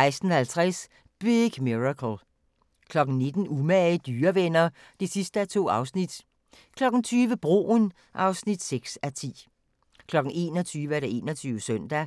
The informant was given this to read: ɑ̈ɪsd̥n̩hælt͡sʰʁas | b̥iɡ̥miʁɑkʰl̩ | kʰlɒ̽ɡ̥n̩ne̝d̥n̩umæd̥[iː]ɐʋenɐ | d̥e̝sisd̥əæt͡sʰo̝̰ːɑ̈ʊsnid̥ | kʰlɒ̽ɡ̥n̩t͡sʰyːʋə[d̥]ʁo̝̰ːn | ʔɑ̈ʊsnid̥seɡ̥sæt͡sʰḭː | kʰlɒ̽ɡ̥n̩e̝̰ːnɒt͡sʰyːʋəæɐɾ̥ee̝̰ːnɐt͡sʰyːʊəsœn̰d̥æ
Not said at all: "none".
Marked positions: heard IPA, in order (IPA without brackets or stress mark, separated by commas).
yː, b̥